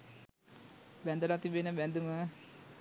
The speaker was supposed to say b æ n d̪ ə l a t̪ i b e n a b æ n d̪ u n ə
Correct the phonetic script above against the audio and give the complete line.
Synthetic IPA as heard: b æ n d̪ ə l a t̪ i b e n ə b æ n d̪ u m ə